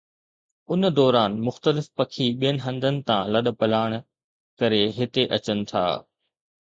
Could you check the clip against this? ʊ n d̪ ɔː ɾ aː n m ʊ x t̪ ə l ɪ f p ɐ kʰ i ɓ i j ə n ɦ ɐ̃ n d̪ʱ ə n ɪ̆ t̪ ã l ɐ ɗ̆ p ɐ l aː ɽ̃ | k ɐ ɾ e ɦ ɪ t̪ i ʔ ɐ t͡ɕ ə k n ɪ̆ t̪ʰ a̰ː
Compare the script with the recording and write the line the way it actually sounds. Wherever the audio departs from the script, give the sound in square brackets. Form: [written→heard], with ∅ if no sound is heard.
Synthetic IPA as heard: ʊ n d̪ ɔː ɾ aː n m ʊ x t̪ ə l ɪ f p ɐ kʰ i ɓ i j ə n ɦ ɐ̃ n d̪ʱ ə n ɪ̆ t̪ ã l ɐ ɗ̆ p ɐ l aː ɽ̃ | k ɐ ɾ e ɦ ɪ t̪ [i→e] ʔ ɐ t͡ɕ ə [k→∅] n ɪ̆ t̪ʰ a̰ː